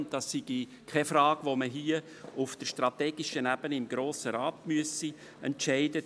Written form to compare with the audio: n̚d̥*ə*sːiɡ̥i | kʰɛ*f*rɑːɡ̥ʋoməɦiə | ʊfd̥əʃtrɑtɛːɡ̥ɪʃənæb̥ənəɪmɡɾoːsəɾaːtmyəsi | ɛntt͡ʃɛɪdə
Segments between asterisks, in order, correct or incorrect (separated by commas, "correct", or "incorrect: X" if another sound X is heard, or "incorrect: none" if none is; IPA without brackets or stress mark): incorrect: ɑ, correct